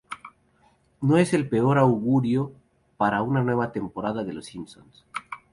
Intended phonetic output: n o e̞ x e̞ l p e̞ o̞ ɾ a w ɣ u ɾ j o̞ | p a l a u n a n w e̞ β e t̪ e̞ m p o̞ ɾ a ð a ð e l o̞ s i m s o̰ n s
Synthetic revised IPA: n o e̞ s e̞ l p e̞ o̞ ɾ a w ɣ u ɾ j o̞ | p a ɾ a u n a n w e̞ β a t̪ e̞ m p o̞ ɾ a ð a ð e l o̞ s i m s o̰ n s